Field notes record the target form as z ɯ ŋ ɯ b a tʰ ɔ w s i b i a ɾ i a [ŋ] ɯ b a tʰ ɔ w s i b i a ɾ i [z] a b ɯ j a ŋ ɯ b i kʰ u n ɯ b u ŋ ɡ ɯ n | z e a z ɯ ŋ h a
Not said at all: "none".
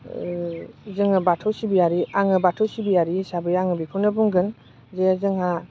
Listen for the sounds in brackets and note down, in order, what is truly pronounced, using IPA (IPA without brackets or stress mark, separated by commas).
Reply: ŋ, s